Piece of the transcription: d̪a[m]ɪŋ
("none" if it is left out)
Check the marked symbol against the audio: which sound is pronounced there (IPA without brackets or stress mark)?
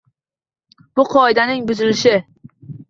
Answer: n